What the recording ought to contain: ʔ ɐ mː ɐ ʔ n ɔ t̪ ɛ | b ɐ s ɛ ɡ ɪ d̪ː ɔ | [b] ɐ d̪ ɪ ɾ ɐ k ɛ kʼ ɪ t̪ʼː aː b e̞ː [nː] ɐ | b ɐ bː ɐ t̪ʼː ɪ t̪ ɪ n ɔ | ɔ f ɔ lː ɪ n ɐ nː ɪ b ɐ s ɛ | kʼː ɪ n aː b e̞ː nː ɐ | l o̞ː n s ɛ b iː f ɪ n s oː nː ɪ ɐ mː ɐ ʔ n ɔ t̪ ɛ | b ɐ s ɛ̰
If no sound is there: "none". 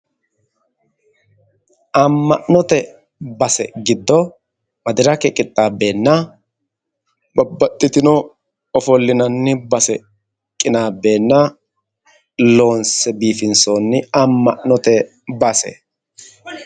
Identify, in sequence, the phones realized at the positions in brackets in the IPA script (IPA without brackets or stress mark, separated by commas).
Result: m, nː